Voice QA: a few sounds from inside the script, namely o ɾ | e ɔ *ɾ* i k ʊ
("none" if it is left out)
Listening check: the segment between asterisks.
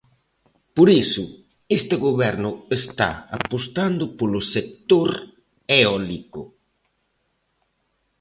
l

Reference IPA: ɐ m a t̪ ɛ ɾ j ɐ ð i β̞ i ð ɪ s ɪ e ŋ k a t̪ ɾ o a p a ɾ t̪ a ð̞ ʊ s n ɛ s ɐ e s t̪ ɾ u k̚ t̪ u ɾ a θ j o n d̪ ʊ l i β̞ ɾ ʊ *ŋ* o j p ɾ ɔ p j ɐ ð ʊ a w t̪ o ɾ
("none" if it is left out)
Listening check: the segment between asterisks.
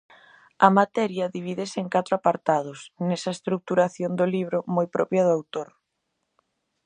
m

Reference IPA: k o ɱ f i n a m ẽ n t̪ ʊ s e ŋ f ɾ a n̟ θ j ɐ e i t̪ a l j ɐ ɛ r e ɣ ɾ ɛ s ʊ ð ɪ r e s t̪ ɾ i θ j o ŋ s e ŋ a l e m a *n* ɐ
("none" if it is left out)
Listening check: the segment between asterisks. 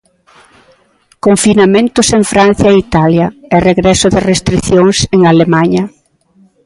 ɲ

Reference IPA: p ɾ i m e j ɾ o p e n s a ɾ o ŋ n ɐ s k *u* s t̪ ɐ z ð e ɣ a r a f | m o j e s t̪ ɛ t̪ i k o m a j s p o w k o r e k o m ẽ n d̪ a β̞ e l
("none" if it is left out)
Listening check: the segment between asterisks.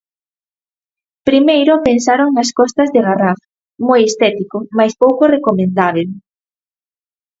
ɔ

